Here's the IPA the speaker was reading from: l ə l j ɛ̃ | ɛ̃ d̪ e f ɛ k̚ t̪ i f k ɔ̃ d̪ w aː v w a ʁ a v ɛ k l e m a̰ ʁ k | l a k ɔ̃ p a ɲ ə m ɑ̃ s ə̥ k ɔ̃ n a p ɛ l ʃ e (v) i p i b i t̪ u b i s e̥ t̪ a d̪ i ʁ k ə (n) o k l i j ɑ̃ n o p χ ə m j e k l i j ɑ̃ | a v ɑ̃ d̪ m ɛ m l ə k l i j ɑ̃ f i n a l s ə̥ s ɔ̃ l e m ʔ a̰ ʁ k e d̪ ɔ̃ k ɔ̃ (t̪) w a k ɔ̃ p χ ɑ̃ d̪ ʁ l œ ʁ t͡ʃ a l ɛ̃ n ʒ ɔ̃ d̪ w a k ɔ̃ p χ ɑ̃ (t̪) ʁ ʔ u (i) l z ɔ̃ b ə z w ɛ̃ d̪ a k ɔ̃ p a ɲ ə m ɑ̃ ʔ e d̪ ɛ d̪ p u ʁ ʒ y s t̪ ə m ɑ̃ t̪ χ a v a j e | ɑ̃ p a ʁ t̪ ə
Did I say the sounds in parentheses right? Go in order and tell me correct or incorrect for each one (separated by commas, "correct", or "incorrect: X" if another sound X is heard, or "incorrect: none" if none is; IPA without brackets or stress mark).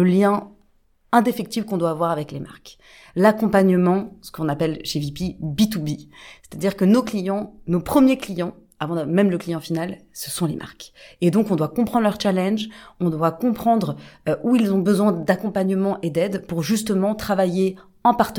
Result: correct, correct, incorrect: d̪, incorrect: d̪, correct